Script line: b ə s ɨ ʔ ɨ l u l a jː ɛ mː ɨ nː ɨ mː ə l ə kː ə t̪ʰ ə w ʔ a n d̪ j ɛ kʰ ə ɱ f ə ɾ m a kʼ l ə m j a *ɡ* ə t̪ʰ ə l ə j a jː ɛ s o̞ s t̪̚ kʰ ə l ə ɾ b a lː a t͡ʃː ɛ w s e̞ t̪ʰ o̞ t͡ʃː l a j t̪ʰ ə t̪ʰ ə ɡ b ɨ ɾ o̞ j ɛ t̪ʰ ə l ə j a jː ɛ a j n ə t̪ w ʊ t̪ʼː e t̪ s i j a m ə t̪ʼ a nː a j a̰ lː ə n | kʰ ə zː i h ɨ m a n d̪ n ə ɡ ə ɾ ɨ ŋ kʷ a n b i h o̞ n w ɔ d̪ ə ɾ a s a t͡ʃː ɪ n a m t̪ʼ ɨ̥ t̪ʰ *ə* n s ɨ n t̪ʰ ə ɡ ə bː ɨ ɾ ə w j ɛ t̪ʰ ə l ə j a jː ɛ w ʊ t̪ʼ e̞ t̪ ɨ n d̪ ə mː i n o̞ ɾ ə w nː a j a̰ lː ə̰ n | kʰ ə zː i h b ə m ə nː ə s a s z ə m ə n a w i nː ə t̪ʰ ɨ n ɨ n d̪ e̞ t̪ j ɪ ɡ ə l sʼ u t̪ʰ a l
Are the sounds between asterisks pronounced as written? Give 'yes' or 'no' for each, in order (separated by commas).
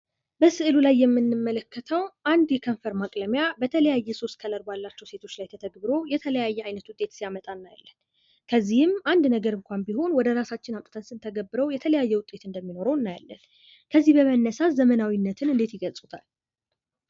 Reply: no, yes